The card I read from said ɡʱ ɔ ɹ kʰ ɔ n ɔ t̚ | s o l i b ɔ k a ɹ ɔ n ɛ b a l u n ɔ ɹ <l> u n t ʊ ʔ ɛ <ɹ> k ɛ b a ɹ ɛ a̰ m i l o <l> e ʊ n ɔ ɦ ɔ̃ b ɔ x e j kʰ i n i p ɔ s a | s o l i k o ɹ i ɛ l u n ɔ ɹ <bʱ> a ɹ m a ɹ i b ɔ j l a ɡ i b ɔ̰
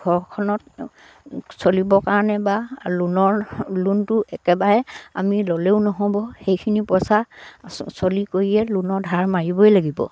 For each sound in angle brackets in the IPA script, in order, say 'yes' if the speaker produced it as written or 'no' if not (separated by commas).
yes, no, yes, no